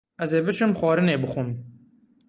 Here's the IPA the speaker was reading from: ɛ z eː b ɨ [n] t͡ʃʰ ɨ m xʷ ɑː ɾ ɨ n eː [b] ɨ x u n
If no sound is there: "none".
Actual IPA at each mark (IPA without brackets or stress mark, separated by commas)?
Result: none, b